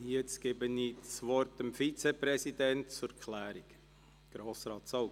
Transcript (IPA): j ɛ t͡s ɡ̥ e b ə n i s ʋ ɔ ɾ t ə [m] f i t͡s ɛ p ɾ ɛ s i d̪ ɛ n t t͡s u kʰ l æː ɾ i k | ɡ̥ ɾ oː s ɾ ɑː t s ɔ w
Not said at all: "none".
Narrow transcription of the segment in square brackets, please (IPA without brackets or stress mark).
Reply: m